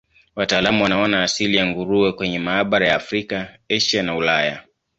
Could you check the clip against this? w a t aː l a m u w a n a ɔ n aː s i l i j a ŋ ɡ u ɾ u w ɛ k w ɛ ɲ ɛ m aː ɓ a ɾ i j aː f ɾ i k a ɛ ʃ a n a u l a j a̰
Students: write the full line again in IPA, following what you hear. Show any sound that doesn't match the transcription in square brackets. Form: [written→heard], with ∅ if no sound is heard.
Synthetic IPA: w a t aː l a m u w a n a ɔ n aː s i l i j a ŋ ɡ u ɾ u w ɛ k w ɛ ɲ ɛ m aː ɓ a ɾ [i→a] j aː f ɾ i k a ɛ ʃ a n a u l a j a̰